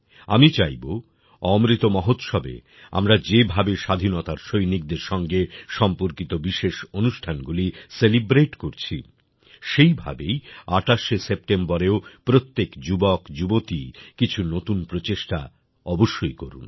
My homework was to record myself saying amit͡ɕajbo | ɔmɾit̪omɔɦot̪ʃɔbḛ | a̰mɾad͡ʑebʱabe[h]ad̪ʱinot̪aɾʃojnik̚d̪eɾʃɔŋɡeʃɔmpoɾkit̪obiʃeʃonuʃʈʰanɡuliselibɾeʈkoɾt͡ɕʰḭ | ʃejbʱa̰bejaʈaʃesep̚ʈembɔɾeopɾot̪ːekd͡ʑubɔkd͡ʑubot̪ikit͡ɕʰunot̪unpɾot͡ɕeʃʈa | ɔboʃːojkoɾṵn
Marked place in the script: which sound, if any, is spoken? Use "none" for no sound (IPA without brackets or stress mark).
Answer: ʃ